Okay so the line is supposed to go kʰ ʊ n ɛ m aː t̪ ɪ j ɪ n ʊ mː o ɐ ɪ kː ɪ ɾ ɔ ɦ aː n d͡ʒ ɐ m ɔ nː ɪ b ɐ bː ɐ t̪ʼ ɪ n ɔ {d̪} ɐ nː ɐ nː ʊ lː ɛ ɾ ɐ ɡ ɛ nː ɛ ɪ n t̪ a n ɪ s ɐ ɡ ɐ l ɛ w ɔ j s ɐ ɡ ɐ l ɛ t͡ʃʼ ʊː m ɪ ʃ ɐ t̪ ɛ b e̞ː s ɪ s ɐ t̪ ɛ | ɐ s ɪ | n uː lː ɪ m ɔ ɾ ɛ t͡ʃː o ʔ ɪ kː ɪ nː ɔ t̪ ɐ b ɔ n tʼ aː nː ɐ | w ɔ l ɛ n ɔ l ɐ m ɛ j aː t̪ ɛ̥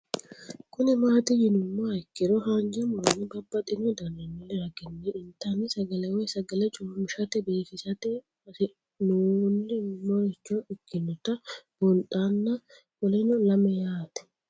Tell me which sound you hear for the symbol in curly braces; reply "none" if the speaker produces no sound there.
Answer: d̪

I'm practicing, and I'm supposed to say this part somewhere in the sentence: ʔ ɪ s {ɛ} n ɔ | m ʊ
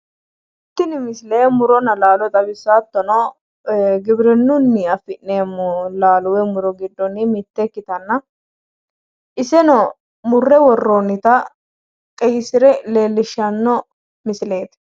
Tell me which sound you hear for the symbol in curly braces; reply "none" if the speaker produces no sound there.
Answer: ɛ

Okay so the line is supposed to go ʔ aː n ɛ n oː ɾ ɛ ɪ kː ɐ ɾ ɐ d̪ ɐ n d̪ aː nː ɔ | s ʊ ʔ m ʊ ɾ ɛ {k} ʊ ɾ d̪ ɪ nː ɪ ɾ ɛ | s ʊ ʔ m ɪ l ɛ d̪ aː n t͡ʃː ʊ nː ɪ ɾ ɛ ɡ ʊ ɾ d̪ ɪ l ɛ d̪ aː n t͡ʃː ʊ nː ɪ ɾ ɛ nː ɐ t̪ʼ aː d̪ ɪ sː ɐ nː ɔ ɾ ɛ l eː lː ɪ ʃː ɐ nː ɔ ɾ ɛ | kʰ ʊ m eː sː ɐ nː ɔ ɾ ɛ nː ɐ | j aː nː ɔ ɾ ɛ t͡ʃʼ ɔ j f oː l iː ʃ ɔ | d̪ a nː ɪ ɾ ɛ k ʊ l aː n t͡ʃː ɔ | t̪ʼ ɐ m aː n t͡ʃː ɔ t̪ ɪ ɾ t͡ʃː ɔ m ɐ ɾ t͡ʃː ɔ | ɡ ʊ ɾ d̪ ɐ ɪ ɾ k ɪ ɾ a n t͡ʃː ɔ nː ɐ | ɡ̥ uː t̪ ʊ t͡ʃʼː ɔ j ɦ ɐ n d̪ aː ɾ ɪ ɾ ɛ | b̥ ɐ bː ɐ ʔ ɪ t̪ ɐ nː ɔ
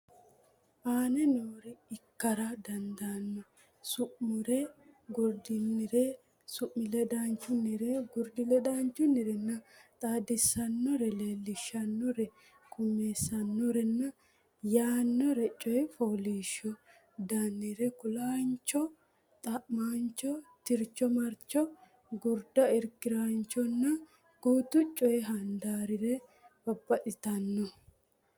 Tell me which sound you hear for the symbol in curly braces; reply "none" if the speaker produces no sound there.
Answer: ɡ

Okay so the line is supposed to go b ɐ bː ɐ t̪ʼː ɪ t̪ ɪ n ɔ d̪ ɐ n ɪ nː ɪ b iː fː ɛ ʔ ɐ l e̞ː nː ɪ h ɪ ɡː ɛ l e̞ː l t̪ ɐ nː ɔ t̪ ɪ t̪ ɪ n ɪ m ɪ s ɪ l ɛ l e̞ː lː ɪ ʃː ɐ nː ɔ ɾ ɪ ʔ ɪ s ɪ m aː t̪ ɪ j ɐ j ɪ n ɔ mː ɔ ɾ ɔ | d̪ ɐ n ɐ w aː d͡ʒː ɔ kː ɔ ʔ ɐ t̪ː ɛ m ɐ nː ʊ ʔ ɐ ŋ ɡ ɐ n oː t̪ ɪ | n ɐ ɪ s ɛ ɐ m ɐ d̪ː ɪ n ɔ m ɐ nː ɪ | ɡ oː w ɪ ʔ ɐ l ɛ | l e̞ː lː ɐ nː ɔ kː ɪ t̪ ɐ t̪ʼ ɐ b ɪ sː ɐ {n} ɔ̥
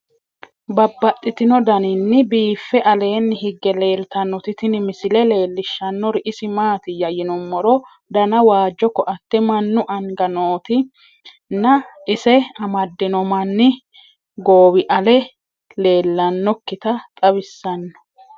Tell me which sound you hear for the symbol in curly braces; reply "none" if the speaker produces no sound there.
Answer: nː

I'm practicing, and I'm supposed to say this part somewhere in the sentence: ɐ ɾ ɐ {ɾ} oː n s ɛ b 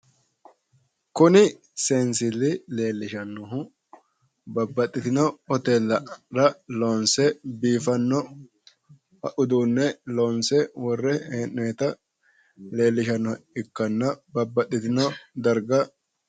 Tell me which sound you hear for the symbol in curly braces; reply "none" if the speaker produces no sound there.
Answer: l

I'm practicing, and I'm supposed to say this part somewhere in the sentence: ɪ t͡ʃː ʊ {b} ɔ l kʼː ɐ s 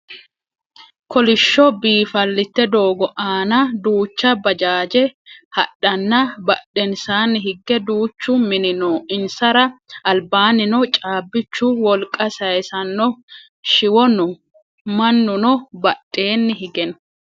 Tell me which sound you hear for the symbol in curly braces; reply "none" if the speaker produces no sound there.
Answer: w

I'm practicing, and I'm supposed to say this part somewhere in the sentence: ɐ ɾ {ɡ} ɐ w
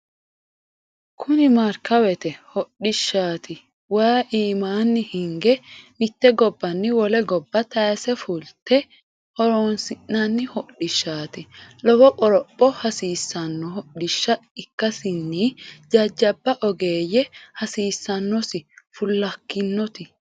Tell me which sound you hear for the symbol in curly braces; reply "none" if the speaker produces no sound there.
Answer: k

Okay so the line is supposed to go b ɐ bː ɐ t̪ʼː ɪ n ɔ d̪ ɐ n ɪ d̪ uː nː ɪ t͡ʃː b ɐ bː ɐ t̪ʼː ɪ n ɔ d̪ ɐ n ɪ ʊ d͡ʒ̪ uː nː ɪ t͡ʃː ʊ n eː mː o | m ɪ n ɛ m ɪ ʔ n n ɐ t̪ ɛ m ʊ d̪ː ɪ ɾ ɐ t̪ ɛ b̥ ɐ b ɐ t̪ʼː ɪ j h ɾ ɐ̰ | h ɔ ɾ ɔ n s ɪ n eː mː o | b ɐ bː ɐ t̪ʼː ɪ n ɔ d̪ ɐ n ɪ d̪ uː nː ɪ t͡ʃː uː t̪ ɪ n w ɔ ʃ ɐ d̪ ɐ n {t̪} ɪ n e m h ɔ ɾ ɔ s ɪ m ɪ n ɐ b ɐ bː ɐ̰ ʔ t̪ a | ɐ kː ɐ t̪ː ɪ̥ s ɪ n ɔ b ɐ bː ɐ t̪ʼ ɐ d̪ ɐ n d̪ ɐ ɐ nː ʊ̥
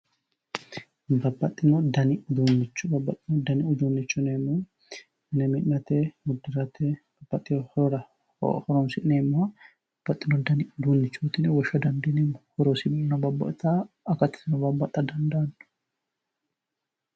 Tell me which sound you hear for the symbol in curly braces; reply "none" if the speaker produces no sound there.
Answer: d̪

